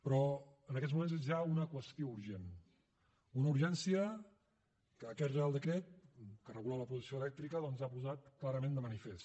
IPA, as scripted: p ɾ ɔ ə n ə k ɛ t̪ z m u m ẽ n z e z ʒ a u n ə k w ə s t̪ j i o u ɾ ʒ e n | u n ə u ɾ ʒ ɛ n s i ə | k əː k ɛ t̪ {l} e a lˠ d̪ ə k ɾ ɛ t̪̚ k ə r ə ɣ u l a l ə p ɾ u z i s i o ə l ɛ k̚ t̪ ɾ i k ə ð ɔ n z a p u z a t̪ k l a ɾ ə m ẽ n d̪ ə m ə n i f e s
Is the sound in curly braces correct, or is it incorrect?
incorrect: r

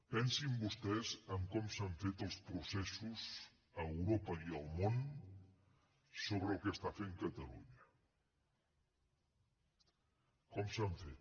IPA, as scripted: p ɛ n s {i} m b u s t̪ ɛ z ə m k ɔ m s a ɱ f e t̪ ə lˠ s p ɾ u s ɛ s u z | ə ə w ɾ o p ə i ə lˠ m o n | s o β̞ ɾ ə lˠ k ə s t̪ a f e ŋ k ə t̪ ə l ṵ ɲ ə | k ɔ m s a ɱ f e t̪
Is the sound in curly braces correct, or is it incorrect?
correct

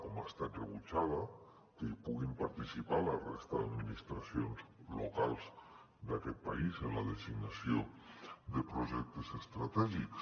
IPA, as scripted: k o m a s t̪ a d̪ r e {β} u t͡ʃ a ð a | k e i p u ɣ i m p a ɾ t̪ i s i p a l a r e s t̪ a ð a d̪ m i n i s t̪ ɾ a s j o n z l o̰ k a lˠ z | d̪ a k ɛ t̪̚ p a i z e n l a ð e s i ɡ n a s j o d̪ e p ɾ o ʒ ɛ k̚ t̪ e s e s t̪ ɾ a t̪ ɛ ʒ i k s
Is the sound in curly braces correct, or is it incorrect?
correct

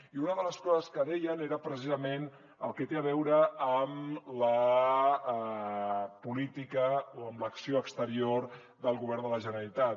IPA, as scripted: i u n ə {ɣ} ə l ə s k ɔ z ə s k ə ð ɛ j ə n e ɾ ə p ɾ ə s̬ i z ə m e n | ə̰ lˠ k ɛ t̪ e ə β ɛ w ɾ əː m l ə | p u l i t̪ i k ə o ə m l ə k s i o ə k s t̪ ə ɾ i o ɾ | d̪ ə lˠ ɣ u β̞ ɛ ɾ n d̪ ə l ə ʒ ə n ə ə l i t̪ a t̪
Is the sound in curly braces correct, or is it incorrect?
incorrect: ð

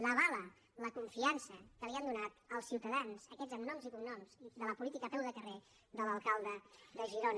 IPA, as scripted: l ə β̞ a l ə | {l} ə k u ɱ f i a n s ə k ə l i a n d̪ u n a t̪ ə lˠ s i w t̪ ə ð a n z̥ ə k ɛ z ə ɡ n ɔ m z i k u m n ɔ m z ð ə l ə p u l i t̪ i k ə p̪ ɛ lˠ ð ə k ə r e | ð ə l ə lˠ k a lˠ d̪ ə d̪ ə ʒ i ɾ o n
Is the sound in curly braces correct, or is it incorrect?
correct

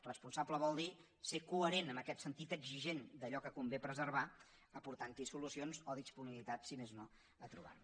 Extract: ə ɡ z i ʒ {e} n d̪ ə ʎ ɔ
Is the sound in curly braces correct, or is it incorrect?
correct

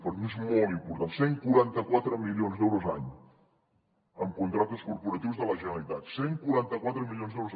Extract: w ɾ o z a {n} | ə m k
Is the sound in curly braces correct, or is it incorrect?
incorrect: ɲ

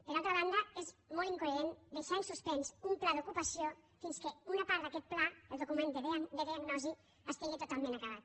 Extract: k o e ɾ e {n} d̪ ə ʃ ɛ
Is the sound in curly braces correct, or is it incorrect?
correct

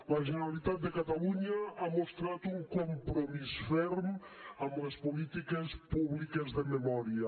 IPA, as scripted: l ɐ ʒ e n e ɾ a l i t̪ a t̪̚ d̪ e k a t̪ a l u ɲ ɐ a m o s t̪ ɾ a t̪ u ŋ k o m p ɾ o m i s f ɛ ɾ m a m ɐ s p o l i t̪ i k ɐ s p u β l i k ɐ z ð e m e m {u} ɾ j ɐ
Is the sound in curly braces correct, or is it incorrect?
incorrect: ɔ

